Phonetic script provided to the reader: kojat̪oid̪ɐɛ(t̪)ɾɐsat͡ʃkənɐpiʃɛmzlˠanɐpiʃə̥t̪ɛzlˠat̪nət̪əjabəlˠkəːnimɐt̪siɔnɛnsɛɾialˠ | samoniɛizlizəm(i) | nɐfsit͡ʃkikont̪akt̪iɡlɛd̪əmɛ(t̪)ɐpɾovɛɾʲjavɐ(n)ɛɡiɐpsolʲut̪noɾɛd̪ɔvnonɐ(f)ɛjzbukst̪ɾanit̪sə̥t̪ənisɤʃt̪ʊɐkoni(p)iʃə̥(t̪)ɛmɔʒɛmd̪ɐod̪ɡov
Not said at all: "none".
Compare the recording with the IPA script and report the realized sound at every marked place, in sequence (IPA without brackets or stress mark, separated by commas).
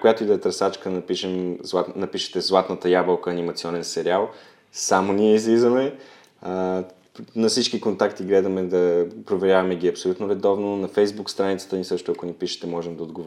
t̪, ɛ, d̪, m, f, p, t̪